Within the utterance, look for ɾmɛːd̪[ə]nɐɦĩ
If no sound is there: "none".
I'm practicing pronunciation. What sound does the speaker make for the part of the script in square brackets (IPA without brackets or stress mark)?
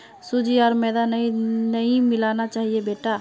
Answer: a